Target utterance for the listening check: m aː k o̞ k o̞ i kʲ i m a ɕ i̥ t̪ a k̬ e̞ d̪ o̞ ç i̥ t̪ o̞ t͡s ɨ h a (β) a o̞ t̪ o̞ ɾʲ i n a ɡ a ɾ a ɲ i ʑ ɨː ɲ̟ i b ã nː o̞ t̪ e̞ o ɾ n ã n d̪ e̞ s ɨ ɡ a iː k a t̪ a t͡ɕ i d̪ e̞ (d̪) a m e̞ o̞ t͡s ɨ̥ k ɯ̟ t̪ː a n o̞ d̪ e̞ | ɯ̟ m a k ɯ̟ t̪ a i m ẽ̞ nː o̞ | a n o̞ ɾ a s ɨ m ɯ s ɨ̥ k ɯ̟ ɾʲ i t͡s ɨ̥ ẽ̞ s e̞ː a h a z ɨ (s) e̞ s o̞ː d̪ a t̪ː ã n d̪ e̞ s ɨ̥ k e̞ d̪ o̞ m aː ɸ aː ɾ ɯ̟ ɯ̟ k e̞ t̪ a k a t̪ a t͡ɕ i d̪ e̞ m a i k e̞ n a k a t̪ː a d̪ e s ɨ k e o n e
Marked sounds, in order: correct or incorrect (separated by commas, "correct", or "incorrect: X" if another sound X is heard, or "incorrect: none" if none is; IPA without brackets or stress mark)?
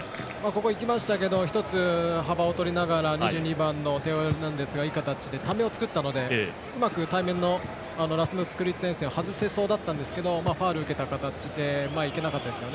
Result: incorrect: b, incorrect: t̪, correct